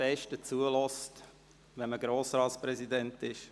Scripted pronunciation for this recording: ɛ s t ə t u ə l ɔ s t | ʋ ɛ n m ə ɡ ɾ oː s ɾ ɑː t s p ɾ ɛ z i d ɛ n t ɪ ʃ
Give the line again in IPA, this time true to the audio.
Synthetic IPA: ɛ ʃ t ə t͡s u ə l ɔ s t | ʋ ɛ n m ə ɡ ɾ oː s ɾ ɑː t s p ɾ ɛ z i d ɛ n t ɪ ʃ